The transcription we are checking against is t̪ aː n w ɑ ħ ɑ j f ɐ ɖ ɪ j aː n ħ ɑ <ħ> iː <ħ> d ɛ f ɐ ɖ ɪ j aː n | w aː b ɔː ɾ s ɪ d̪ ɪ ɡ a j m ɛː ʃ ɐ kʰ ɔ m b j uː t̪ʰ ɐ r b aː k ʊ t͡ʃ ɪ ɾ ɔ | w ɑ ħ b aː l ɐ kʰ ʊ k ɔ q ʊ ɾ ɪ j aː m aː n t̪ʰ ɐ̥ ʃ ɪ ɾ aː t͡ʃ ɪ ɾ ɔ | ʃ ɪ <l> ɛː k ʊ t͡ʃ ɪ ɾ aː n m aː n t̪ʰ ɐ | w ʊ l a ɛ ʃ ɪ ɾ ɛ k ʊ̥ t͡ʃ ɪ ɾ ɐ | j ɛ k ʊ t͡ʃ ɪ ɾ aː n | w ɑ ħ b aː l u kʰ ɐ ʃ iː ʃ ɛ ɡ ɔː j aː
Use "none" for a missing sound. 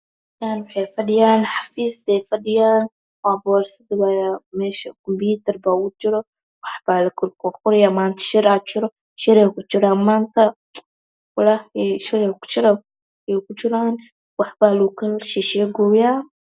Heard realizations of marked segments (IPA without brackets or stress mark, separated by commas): f, s, ɾ